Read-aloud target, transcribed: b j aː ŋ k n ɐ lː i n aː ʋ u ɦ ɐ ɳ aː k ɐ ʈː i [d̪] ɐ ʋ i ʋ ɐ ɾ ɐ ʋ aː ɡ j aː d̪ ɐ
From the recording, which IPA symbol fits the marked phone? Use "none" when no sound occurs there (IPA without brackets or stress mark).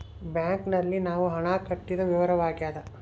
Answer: d̪